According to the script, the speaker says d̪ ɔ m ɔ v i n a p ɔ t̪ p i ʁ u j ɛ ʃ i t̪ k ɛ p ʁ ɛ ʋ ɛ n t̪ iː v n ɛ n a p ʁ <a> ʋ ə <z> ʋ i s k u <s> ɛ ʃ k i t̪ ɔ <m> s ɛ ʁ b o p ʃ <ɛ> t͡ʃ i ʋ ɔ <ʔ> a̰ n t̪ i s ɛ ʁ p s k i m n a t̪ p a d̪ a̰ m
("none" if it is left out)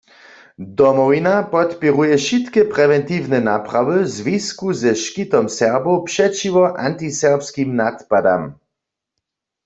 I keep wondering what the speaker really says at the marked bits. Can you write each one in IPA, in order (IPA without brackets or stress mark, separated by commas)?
a, z, z, m, ɛ, ʔ